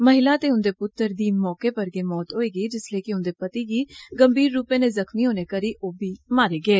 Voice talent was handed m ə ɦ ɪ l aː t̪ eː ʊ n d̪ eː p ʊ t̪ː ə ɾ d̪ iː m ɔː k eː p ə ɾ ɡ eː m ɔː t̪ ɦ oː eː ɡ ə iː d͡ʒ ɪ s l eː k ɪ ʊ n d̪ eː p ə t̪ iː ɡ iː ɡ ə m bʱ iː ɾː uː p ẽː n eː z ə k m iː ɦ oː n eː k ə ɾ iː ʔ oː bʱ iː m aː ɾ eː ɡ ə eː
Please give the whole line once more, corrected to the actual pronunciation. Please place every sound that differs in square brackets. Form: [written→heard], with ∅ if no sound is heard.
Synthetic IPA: m ə ɦ ɪ l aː t̪ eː ʊ n d̪ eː p ʊ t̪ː ə ɾ d̪ iː m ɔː k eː p ə ɾ ɡ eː m ɔː t̪ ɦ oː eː ɡ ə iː d͡ʒ ɪ s l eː k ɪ ʊ n d̪ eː p ə t̪ iː ɡ iː ɡ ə m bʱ iː ɾː uː p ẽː n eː z ə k m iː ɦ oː n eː k ə ɾ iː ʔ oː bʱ iː m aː ɾ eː ɡ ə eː